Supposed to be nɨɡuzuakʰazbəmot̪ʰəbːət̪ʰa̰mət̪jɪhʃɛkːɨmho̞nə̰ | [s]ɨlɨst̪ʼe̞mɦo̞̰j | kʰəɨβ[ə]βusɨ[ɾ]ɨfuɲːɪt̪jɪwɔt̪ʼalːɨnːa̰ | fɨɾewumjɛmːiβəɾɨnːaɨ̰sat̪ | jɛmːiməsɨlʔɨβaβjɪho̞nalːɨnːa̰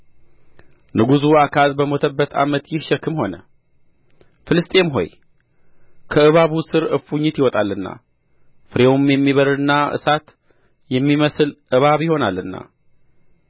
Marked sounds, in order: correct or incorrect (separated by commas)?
incorrect, incorrect, correct